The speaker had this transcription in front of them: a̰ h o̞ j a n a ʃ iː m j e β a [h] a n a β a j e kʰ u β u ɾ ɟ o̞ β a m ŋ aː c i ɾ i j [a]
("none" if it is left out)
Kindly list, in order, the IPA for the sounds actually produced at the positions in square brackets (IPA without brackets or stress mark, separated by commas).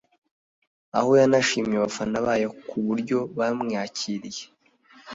f, e